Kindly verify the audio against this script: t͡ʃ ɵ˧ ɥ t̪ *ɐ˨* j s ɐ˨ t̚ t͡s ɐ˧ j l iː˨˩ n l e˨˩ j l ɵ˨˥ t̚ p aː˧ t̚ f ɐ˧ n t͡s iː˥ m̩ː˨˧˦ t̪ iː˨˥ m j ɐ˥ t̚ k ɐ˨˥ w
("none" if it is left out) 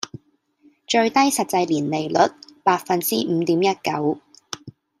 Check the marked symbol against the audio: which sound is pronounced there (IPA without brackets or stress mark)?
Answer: ɐ˥